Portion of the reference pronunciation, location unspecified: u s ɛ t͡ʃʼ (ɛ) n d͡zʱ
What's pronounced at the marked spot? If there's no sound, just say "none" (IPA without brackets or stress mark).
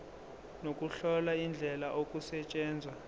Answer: ɛː